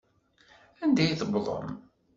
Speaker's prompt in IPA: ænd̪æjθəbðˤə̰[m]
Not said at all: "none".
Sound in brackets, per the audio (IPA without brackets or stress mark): m